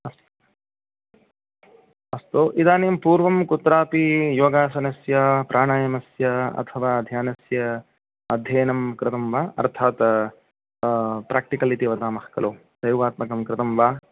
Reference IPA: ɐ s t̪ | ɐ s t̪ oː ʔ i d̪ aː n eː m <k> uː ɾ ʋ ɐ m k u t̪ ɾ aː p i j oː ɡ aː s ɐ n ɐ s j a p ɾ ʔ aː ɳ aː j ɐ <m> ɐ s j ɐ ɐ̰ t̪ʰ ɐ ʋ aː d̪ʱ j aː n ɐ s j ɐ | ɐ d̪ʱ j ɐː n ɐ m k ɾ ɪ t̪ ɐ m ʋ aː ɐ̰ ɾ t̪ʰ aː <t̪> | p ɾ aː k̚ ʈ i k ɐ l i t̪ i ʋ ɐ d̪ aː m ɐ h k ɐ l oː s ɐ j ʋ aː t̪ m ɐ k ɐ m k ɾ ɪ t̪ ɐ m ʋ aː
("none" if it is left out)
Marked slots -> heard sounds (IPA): p, m, t̪

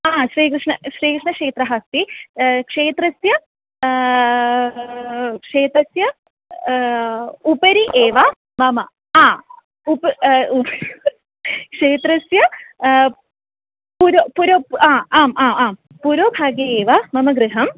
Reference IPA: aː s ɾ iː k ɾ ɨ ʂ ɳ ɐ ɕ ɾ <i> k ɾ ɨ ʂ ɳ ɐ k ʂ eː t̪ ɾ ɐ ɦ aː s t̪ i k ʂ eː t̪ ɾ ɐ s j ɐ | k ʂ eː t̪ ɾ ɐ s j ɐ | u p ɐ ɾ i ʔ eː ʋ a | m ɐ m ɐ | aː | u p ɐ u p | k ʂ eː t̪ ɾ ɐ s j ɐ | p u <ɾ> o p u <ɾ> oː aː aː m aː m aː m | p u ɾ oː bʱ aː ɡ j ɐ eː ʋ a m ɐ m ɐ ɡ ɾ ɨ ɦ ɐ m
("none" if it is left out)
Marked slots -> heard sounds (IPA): iː, ɾ, ɾ

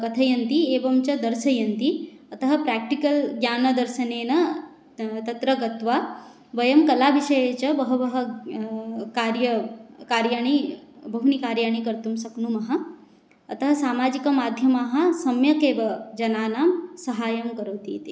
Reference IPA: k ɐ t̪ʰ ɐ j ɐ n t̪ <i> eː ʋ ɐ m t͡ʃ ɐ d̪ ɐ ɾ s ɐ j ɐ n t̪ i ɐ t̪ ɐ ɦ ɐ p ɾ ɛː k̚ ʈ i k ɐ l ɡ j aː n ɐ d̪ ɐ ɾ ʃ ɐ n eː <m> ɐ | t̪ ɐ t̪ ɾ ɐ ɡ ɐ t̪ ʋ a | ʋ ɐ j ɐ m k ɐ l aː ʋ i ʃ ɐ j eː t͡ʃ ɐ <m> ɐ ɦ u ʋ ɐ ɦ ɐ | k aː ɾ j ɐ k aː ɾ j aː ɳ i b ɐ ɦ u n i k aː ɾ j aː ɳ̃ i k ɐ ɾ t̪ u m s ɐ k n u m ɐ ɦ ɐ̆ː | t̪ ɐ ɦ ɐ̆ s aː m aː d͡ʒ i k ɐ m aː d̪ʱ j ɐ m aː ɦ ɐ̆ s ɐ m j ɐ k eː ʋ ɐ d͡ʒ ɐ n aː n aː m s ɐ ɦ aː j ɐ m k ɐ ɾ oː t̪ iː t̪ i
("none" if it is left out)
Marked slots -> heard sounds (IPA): i, n, b

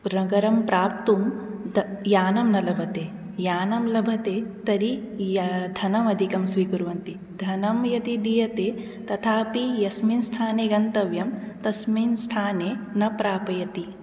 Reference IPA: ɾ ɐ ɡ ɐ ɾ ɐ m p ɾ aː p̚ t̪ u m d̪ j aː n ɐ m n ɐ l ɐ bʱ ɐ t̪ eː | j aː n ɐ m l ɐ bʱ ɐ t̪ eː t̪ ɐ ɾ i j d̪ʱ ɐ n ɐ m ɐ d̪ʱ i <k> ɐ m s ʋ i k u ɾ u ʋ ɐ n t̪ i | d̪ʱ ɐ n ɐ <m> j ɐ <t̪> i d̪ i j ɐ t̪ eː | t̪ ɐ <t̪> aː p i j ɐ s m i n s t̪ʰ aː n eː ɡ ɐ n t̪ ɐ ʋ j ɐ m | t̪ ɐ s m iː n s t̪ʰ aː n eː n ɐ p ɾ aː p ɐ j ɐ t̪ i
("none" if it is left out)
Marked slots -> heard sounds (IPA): k, m, t̪, t̪ʰ

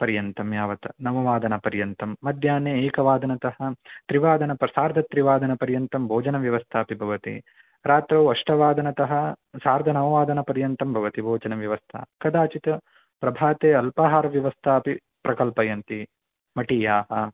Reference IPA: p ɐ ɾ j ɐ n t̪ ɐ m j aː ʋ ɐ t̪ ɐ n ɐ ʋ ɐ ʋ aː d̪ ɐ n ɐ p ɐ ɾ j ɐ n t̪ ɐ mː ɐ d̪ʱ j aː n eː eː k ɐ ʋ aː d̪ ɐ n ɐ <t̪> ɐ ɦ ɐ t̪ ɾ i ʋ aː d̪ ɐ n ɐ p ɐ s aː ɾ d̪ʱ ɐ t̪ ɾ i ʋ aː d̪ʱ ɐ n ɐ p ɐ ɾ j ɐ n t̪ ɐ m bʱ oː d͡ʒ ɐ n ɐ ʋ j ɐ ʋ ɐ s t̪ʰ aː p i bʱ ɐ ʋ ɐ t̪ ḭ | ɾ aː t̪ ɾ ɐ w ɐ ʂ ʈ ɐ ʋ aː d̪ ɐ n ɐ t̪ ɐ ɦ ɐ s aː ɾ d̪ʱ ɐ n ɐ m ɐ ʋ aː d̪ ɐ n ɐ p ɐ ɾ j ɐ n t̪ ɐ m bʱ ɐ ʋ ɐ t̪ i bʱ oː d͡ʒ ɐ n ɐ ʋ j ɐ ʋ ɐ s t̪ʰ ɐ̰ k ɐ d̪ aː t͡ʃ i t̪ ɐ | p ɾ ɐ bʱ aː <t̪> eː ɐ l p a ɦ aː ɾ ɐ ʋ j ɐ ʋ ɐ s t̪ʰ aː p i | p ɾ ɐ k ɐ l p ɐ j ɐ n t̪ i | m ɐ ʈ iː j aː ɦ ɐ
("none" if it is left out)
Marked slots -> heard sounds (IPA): t̪, t̪

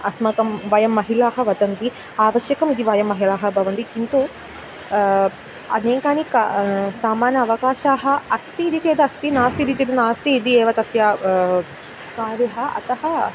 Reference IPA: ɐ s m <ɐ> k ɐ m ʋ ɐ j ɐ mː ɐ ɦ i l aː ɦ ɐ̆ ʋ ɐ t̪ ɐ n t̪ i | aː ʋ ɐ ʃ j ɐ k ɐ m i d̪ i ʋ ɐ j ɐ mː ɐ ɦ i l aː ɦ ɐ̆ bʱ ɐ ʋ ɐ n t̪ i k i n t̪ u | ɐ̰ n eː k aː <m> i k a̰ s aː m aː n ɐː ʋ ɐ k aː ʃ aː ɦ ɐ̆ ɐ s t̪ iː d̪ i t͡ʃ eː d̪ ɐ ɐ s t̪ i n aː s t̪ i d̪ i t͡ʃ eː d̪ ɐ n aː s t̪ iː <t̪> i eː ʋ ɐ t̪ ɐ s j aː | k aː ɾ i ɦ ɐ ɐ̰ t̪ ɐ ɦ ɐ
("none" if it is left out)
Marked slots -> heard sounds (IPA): ɐ, n, d̪

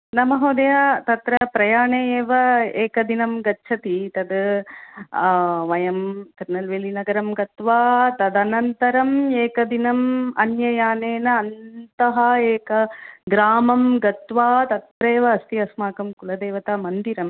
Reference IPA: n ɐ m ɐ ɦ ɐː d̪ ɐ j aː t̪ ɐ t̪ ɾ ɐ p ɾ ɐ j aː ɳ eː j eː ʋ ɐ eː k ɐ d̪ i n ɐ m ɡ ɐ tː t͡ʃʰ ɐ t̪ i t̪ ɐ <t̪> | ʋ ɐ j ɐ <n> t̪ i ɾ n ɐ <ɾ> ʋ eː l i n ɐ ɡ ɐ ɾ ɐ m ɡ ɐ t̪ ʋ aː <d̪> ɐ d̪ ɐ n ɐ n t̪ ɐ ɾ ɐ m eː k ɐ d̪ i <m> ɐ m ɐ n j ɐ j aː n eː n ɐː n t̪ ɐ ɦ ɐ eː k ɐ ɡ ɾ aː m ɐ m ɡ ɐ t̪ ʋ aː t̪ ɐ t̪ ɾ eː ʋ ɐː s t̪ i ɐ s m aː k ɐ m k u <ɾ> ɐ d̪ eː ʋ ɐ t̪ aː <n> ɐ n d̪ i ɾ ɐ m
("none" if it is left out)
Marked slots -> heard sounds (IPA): d̪, m, l, t̪, n, l, m

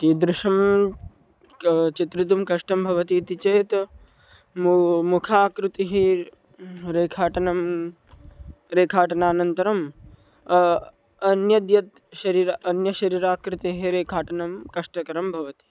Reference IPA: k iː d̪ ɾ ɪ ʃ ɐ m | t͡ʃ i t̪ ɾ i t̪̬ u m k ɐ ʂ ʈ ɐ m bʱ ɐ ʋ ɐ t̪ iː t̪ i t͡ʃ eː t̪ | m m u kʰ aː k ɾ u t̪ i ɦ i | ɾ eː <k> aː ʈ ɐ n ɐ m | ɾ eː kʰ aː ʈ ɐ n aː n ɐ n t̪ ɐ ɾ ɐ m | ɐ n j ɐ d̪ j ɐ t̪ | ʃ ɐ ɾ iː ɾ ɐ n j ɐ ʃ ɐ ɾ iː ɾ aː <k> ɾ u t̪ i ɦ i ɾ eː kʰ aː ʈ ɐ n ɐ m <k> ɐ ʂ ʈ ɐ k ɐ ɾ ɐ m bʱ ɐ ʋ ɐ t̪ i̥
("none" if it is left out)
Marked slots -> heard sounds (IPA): kʰ, k, k

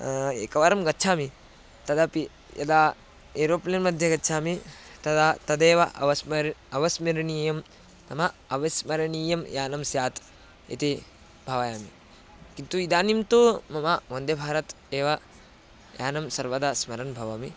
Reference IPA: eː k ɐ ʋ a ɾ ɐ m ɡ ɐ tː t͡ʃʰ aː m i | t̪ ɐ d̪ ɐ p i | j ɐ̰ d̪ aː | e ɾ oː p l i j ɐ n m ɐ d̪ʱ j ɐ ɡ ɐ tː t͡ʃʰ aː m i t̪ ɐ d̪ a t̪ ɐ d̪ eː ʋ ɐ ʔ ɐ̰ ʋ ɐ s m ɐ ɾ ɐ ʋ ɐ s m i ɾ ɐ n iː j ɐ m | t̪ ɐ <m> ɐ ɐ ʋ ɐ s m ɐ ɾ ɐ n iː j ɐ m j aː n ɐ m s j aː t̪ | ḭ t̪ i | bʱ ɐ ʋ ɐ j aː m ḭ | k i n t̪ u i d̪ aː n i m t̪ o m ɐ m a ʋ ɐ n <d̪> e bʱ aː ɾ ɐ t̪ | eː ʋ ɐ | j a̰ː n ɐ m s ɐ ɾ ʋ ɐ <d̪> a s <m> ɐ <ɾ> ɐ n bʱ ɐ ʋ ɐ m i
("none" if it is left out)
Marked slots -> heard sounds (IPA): m, d̪, d̪, m, ɾ

